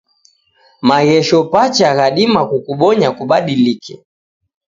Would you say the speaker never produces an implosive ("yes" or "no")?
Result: no